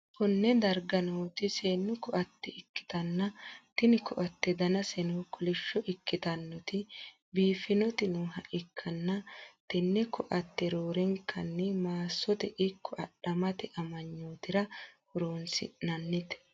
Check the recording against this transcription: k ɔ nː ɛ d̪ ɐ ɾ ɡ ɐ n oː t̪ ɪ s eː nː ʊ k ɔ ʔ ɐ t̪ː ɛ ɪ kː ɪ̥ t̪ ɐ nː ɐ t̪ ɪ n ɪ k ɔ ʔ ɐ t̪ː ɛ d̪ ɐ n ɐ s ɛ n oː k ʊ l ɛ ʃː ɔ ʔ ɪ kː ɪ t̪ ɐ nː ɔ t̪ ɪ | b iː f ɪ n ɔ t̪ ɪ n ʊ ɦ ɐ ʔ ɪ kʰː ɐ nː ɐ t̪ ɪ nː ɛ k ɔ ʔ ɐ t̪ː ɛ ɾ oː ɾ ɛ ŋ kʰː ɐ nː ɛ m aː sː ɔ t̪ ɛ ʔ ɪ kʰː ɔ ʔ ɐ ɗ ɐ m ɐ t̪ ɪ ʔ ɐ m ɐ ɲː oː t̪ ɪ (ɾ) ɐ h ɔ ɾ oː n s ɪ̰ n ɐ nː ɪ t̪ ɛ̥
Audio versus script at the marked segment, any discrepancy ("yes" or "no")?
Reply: no